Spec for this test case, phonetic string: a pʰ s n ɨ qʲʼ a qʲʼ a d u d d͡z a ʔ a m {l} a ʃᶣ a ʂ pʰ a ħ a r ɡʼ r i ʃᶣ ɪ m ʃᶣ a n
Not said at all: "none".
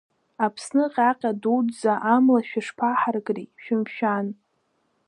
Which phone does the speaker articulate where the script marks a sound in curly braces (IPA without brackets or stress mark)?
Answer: l